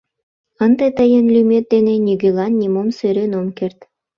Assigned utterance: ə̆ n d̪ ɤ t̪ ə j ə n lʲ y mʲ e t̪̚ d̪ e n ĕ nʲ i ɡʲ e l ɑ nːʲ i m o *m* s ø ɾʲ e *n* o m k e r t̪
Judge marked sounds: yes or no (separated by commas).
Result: yes, yes